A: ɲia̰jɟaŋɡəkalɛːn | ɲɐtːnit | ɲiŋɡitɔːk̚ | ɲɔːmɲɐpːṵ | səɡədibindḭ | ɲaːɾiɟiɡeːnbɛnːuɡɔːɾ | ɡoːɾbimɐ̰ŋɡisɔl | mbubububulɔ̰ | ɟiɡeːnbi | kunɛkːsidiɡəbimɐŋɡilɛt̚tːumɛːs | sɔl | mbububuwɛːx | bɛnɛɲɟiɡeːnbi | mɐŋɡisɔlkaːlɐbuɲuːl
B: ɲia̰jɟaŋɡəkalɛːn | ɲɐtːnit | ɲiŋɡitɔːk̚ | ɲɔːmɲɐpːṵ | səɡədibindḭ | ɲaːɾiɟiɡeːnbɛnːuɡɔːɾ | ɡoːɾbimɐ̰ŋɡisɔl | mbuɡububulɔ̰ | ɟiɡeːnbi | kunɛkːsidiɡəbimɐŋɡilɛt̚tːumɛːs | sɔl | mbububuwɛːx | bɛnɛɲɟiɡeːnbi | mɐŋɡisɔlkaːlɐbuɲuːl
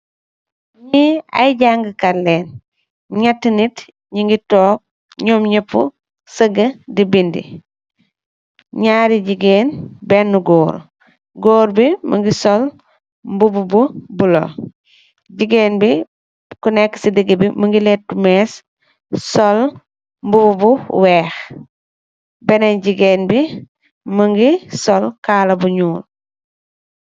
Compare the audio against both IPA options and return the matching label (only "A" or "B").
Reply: A